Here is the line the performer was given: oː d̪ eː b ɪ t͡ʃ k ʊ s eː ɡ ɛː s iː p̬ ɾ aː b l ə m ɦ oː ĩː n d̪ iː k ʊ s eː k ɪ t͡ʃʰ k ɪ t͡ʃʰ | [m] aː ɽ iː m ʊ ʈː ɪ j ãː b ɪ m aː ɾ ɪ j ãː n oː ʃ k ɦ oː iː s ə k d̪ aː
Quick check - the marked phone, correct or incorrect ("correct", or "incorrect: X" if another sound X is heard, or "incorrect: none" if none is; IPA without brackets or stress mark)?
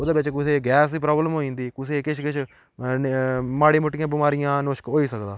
correct